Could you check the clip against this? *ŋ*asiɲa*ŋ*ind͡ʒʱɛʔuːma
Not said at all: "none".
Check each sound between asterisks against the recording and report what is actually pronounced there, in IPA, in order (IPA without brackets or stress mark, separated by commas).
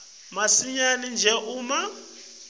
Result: m, n